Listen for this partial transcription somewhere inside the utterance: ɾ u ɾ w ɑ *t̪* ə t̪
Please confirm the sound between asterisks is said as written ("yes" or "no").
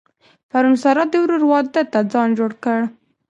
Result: no